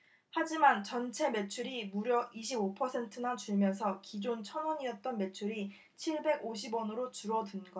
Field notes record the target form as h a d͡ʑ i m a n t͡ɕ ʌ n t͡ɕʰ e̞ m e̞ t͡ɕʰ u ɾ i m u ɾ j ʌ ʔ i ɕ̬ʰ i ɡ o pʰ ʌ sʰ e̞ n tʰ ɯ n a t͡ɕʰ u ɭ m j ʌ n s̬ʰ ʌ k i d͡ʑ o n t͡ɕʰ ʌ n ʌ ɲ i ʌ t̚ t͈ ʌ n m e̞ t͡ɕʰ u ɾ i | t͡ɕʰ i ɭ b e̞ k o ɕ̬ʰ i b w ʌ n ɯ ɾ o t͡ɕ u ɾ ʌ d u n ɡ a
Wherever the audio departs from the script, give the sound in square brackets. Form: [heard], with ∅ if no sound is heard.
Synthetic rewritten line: h a d͡ʑ i m a n t͡ɕ ʌ n t͡ɕʰ e̞ m e̞ t͡ɕʰ u ɾ i m u ɾ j ʌ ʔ i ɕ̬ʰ i [b] o pʰ ʌ sʰ e̞ n tʰ ɯ n a [t͡ɕ] u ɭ m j ʌ n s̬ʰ ʌ k i d͡ʑ o n t͡ɕʰ ʌ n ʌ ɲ i ʌ t̚ t͈ ʌ n m e̞ t͡ɕʰ u ɾ i | t͡ɕʰ i ɭ b e̞ [ɡ] o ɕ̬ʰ i b w ʌ n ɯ ɾ o t͡ɕ u ɾ ʌ d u n ɡ [ʌ]